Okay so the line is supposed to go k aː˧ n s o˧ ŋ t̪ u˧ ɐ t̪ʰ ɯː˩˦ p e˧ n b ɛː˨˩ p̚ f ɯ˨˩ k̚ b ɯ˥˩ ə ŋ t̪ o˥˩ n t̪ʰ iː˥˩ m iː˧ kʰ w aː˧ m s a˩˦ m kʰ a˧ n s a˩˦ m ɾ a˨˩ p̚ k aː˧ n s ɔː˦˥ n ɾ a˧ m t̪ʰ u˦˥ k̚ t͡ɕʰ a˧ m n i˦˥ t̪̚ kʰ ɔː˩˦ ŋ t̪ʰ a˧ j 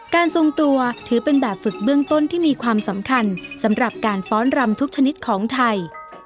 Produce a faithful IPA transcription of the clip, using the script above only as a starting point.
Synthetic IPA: k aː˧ n s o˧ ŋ t̪ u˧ ɐ t̪ʰ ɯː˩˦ p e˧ n b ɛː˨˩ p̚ f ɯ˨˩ k̚ b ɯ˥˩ ə ŋ t̪ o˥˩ n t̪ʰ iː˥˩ m iː˧ kʰ w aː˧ m s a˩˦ m kʰ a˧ n s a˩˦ m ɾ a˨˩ p̚ k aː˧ n f ɔː˦˥ n ɾ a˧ m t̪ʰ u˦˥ k̚ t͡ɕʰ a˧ n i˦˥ t̪̚ kʰ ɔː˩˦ ŋ t̪ʰ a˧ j